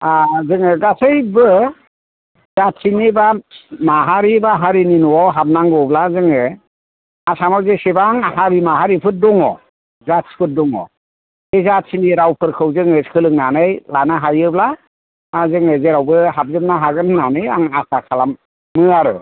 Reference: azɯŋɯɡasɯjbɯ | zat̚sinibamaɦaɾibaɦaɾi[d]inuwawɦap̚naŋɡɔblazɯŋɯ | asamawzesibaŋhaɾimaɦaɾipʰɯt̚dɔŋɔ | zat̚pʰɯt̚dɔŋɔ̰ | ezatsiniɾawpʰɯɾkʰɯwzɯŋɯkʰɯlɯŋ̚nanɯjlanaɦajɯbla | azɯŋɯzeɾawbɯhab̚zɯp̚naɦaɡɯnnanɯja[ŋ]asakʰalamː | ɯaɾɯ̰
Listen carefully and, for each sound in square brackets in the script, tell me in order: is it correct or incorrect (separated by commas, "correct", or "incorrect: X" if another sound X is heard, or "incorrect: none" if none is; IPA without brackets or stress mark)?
incorrect: n, correct